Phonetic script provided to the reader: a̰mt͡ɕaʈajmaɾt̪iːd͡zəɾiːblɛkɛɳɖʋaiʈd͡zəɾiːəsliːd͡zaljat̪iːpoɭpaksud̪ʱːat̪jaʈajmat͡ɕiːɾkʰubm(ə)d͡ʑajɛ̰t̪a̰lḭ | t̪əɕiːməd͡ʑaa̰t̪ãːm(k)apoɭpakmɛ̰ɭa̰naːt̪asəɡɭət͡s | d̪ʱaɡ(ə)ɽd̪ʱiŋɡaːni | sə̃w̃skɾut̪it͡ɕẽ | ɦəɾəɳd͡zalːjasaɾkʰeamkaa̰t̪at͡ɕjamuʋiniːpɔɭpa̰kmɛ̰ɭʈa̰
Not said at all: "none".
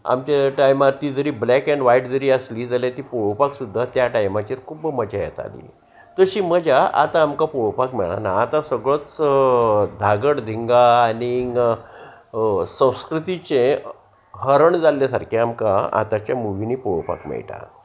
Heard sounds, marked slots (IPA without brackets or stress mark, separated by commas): ə, k, ə